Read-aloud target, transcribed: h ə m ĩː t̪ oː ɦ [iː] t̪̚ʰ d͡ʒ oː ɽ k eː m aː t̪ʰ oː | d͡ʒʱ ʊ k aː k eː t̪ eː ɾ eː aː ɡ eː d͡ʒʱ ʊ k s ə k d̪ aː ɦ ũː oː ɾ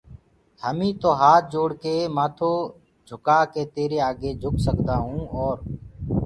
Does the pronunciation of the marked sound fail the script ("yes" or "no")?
yes